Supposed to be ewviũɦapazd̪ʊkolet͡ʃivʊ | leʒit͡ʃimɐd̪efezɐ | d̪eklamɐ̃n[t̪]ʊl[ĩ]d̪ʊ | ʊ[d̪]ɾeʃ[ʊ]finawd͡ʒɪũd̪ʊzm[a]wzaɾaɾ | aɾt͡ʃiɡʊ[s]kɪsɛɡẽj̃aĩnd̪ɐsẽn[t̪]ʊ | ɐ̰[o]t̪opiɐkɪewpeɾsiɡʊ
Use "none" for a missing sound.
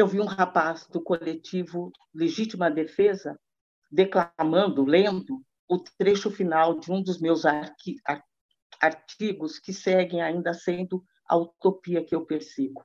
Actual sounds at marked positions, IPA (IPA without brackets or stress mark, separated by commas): d̪, ẽ, t̪, ʊ, e, s, d̪, u